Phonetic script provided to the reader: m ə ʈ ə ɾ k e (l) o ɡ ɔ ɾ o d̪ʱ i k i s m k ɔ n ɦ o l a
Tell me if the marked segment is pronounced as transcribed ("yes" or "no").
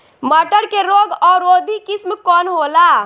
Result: no